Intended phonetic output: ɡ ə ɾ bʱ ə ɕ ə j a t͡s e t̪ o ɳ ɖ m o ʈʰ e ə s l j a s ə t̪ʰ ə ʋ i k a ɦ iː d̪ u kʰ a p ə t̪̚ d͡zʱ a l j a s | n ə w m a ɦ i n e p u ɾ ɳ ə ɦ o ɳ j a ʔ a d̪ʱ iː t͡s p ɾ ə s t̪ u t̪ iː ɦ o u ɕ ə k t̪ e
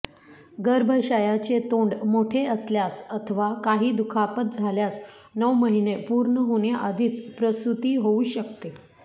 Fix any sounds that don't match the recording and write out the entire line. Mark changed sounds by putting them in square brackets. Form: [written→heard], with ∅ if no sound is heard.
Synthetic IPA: ɡ ə ɾ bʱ ə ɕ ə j a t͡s e t̪ o ɳ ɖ m o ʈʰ e ə s l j a s ə t̪ʰ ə ʋ [i→a] k a ɦ iː d̪ u kʰ a p ə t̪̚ d͡zʱ a l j a s | n ə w m [a→ə] ɦ i n e p u ɾ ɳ ə ɦ o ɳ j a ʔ a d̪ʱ iː t͡s p ɾ ə s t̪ u t̪ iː ɦ o u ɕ ə k t̪ e